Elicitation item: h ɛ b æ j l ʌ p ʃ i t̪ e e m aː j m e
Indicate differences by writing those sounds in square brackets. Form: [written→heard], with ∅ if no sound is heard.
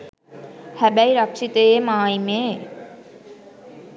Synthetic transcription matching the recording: h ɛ b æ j [l→ɾ] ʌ [p→k] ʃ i t̪ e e m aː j m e